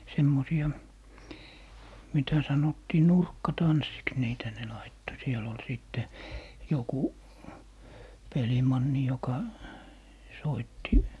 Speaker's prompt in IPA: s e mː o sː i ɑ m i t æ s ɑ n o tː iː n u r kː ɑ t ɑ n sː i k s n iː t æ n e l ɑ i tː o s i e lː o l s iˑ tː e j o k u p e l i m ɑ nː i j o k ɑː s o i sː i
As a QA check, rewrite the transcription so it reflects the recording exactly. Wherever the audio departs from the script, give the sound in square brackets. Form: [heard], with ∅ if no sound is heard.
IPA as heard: s e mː o [s] i ɑ m i t æ s ɑ n o tː iː n u r kː ɑ t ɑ n sː i k s n iː t æ n e l ɑ i tː o s i e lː o l s iˑ tː e j o k u p e l i m ɑ nː i j o k [ɑ] s o i [tː] i